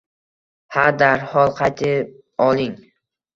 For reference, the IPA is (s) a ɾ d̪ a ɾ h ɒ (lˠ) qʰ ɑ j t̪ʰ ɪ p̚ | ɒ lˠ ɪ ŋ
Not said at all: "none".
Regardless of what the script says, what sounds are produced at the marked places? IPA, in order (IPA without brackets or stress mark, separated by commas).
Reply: h, lˠ